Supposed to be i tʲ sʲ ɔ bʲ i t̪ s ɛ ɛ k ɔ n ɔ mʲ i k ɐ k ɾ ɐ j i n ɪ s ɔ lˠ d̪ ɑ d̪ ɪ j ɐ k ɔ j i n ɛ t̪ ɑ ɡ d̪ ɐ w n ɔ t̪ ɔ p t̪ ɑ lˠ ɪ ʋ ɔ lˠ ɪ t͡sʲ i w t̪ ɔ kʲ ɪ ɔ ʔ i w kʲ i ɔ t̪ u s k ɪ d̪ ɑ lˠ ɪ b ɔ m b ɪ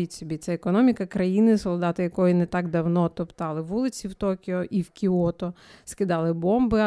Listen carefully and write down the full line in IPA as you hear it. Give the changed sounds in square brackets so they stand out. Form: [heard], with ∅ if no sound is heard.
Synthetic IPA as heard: i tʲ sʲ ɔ bʲ i t̪ s ɛ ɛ k ɔ n ɔ mʲ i k ɐ k ɾ ɐ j i n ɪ s ɔ lˠ d̪ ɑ [t̪] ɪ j ɐ k ɔ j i n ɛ t̪ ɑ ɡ d̪ ɐ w n ɔ t̪ ɔ p t̪ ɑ lˠ ɪ ʋ [u] lˠ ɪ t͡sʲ i w t̪ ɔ kʲ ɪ ɔ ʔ i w kʲ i ɔ t̪ [ɔ] s k ɪ d̪ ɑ lˠ ɪ b ɔ m b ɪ